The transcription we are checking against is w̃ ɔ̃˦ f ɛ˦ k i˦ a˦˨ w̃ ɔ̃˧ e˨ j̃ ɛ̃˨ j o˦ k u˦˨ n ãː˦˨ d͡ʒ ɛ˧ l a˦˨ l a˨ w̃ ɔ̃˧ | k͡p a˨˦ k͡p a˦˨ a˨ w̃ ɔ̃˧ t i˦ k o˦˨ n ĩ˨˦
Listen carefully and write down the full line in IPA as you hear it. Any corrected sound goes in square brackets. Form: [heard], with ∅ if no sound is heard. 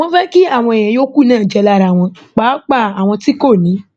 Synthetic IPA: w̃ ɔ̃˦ f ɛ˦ k i˦ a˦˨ w̃ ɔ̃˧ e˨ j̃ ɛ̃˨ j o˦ k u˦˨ n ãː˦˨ d͡ʒ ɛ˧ l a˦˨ [ɾ] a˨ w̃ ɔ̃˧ | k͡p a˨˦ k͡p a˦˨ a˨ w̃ ɔ̃˧ t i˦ k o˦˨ n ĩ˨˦